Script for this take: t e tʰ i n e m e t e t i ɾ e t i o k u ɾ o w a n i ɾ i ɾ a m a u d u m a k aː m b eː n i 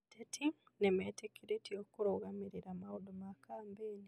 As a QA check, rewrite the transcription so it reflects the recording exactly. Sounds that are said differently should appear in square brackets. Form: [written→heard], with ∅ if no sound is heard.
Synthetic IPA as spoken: t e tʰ i n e m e t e [t→k] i ɾ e t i o k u ɾ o [w→ɣ] a [n→m] i ɾ i ɾ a m a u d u m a k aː m b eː n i